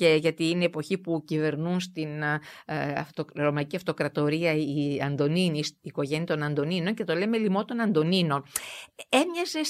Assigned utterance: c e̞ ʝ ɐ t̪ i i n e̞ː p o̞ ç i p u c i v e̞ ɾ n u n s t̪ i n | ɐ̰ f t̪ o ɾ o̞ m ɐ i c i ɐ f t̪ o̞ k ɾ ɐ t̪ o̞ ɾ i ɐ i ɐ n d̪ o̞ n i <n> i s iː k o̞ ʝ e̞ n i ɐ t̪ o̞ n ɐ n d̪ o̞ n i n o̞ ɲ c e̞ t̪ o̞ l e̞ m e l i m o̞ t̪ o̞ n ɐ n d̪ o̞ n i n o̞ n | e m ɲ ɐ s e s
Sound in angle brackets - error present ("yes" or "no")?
no